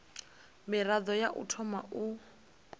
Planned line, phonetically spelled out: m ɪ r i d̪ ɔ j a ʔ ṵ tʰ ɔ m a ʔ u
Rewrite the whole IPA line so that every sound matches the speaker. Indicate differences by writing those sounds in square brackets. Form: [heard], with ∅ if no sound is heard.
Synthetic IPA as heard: m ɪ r [a] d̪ ɔ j a ʔ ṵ tʰ ɔ m a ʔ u